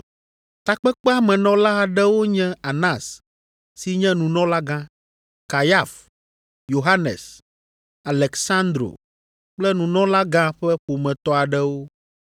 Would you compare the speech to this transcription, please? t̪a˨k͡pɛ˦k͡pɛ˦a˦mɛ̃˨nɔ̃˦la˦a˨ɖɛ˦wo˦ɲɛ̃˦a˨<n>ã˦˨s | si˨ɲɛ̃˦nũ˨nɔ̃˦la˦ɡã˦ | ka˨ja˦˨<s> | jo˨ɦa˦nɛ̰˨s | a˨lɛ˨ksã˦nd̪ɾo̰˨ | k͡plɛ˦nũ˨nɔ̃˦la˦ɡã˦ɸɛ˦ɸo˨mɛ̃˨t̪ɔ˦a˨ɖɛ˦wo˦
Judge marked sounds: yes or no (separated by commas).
yes, no